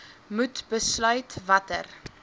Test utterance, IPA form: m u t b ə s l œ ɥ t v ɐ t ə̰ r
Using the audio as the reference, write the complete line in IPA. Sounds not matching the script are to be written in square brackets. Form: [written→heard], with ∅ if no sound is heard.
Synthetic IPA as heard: m u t b ə s l œ ɥ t v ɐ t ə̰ r